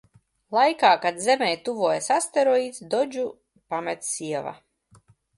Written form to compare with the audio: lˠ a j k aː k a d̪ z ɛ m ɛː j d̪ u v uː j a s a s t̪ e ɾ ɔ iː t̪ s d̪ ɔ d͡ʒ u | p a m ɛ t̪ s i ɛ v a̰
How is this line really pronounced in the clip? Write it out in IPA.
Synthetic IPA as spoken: lˠ a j k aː k a d̪ z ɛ m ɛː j t̪ u v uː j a s a s t̪ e ɾ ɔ iː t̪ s d̪ ɔ d͡ʒ u | p a m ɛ t̪ s i ɛ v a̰